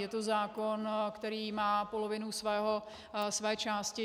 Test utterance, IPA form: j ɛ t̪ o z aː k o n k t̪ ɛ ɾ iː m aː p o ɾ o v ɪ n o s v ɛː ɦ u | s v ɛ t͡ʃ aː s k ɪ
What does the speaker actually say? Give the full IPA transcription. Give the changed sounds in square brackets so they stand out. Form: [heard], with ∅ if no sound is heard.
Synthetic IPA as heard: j ɛ t̪ o z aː k o n k t̪ ɛ ɾ iː m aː p o [l] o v ɪ n [u] s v ɛː ɦ [o] | s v [ɛː] t͡ʃ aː s [c] ɪ